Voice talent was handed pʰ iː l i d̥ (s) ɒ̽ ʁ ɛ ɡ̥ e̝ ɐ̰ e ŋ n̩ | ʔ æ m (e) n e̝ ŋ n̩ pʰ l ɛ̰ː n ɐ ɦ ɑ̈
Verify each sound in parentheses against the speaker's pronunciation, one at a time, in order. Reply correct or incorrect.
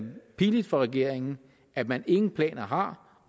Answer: incorrect, incorrect

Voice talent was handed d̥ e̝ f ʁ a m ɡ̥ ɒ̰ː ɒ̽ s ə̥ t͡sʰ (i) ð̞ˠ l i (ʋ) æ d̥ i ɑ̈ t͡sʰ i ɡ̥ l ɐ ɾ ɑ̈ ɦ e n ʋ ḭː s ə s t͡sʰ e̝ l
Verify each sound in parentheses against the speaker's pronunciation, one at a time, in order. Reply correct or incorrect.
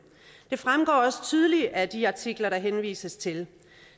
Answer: incorrect, incorrect

